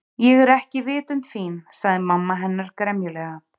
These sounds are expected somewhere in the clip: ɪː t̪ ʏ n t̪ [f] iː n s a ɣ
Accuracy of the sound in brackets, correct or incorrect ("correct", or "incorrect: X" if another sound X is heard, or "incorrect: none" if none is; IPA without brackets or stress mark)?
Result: correct